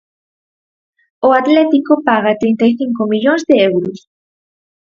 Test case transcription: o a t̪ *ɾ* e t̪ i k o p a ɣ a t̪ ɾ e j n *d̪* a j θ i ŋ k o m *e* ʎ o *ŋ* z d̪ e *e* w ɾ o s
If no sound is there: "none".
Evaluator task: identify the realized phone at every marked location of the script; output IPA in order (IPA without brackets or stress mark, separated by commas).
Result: l, t̪, i, n, e